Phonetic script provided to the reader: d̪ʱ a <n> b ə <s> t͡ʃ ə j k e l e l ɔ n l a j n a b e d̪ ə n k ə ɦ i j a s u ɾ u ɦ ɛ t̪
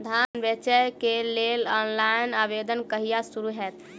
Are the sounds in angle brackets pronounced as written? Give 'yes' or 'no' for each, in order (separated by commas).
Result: yes, no